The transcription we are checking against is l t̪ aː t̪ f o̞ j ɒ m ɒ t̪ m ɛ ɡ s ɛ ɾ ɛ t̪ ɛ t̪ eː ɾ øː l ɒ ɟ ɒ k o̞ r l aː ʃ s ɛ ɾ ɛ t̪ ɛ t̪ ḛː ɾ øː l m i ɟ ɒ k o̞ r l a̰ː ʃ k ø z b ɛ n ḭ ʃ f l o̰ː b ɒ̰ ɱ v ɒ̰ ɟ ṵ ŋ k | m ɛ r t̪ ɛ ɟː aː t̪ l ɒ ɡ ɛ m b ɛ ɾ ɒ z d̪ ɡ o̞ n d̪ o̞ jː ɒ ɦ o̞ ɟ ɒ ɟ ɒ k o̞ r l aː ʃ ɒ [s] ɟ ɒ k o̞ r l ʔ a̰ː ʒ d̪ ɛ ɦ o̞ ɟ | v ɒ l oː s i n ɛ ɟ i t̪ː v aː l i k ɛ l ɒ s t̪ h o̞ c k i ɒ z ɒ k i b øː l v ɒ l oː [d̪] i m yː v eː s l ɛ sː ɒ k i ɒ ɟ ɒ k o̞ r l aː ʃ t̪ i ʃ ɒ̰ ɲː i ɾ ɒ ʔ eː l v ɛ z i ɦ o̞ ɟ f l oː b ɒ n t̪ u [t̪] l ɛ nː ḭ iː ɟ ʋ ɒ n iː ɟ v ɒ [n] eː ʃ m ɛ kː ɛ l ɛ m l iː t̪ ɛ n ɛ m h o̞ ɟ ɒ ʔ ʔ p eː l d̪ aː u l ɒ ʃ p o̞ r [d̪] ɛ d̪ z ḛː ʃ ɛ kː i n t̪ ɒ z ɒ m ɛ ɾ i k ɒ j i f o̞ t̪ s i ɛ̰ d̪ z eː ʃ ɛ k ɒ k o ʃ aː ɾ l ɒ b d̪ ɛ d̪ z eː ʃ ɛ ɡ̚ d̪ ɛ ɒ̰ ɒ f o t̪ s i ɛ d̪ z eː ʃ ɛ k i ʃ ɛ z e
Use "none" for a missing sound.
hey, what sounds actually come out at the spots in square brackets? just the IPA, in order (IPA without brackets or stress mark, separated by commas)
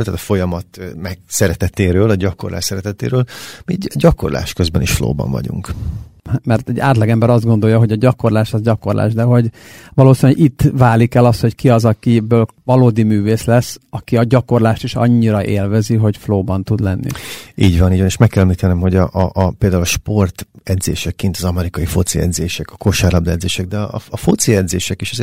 z, d̪, d̪, n, t̪